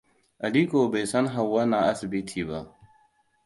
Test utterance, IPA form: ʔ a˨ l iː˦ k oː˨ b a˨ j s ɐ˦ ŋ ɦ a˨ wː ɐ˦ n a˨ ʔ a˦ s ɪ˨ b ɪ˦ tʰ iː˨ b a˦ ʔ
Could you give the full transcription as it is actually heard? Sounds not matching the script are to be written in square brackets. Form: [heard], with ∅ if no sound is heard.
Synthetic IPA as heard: ʔ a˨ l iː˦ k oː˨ b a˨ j s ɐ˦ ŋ ɦ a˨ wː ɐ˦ n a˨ ʔ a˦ s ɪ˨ b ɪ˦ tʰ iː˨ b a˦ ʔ